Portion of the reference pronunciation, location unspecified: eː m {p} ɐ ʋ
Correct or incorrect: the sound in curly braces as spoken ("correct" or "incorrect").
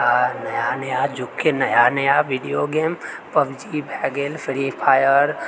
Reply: correct